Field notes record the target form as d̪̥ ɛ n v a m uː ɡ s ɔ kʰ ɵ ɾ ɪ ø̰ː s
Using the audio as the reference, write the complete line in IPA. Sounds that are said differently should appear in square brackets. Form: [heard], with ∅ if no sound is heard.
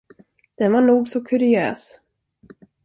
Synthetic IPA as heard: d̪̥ ɛ n v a [ɳ] uː ɡ s ɔ kʰ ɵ ɾ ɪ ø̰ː s